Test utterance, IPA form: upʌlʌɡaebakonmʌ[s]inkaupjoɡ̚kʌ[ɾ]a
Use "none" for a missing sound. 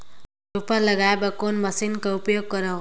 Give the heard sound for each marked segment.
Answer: s, ɾ

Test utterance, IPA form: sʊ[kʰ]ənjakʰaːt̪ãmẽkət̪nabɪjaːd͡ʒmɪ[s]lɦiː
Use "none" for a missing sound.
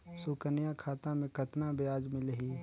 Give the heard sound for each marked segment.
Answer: k, none

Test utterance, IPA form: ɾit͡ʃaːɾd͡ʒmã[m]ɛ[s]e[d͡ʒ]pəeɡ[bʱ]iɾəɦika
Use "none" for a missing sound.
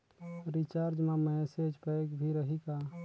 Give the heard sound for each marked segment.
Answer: m, s, d͡ʒ, bʱ

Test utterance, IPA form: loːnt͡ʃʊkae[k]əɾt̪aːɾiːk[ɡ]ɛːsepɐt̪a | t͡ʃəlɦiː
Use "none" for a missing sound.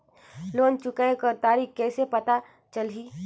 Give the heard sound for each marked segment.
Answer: k, k

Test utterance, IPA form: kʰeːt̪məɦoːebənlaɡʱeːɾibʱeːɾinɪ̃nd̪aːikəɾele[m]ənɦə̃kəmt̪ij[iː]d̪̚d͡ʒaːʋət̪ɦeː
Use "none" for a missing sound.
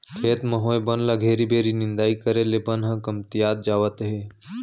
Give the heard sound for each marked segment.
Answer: b, aː

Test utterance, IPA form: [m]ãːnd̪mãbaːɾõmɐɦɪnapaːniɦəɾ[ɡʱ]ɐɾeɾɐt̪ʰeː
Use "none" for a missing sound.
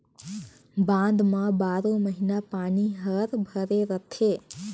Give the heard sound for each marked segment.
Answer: b, bʱ

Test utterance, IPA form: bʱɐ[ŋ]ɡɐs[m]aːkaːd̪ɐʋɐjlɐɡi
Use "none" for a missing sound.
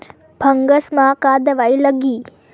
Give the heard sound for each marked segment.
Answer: ŋ, m

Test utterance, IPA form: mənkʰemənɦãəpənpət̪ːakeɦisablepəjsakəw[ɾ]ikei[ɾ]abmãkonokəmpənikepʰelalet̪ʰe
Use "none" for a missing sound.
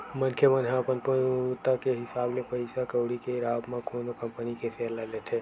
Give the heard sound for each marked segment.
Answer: ɽ, ɾ

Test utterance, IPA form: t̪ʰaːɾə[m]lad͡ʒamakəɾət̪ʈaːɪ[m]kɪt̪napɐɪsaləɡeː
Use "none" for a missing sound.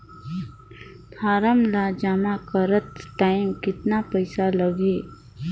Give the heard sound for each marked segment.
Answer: m, m

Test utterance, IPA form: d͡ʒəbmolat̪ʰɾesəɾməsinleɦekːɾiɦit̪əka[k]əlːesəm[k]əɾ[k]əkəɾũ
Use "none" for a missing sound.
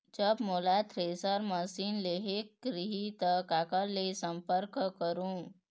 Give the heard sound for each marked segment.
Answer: k, p, k

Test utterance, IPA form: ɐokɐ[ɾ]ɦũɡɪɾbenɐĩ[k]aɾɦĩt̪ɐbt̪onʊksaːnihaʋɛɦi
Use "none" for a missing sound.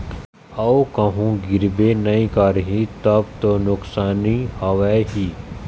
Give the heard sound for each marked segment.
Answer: none, k

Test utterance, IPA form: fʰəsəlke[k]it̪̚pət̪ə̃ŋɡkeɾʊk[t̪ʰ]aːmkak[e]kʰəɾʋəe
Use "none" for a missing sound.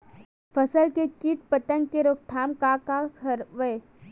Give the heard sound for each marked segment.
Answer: k, t̪ʰ, a

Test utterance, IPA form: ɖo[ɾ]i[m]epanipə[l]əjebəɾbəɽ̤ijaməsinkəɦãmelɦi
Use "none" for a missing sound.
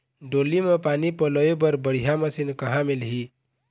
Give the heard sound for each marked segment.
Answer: l, m, l

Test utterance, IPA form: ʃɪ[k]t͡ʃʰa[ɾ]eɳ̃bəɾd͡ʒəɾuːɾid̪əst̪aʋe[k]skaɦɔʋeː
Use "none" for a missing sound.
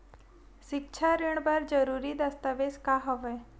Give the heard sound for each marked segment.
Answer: k, ɾ, none

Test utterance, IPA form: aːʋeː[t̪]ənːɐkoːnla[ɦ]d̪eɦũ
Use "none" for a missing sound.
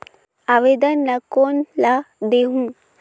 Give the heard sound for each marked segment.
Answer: d̪, none

